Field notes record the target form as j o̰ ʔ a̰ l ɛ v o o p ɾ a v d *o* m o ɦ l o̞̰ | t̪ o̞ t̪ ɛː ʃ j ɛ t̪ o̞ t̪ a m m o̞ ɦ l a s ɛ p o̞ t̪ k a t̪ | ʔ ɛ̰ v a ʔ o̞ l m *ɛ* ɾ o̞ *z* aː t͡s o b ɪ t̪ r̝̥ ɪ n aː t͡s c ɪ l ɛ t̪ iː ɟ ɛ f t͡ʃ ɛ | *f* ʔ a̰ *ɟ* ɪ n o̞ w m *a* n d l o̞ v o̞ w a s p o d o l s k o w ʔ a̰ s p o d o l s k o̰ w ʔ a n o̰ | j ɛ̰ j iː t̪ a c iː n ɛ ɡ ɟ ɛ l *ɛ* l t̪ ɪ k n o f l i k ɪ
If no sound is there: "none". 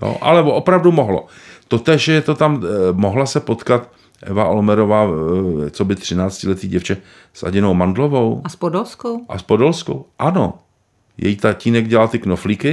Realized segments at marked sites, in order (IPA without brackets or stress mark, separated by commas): u, ɛ, v, s, ɟ, a, a